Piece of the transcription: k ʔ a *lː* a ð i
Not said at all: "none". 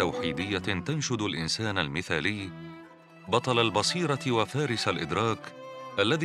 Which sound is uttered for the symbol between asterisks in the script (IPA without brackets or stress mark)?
lː